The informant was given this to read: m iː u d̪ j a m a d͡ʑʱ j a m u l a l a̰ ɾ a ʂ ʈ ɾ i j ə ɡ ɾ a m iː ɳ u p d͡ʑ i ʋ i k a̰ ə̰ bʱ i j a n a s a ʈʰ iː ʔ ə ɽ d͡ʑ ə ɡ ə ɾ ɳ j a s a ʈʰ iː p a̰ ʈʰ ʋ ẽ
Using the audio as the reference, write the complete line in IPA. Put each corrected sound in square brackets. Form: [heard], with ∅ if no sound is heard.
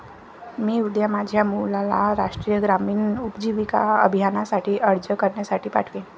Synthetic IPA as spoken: m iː u d̪ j a m a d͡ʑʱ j a m u l a l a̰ ɾ a ʂ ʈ ɾ i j ə ɡ ɾ a m iː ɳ u p d͡ʑ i ʋ i k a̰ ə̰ bʱ i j a n a s a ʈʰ iː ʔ ə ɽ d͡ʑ ə [k] ə ɾ ɳ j a s a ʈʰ iː p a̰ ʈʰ ʋ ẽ